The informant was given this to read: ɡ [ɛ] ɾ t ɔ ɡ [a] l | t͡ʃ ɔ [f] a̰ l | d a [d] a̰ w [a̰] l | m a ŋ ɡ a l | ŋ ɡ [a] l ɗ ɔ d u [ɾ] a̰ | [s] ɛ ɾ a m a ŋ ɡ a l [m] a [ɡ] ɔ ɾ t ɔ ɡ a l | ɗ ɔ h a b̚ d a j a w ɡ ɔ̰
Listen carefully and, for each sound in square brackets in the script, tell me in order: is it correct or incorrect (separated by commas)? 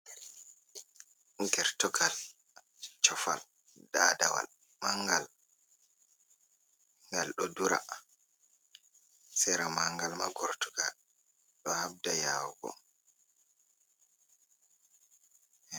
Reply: correct, correct, correct, correct, correct, correct, correct, correct, correct, correct